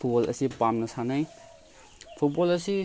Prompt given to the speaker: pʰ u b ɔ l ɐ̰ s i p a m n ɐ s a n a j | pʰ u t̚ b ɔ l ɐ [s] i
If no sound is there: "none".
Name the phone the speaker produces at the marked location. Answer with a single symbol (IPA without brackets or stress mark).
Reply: s